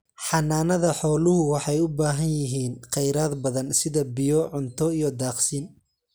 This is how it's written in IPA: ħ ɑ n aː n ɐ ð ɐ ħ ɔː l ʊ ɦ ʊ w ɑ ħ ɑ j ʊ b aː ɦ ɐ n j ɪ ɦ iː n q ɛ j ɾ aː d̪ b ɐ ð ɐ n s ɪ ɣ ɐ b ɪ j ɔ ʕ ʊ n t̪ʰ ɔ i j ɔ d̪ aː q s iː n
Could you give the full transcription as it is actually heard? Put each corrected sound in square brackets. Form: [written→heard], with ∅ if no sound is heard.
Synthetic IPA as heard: ħ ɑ n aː n ɐ ð ɐ ħ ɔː l ʊ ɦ ʊ w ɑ ħ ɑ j ʊ b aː ɦ ɐ n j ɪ ɦ iː n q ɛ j ɾ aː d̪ b ɐ ð ɐ n s ɪ [ɣ→ð] ɐ b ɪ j ɔ ʕ ʊ n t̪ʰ ɔ i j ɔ d̪ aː q s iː n